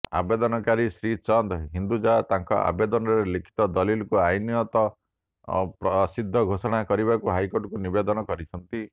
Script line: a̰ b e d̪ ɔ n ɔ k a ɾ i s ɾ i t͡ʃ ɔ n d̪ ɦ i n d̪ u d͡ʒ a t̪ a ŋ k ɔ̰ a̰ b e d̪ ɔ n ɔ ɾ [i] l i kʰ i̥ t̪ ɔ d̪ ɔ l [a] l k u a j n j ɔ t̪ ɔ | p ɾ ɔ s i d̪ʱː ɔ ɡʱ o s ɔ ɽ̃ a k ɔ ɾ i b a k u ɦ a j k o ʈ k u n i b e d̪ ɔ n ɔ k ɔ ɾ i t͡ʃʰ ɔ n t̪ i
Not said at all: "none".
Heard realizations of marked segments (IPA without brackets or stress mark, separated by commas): e, i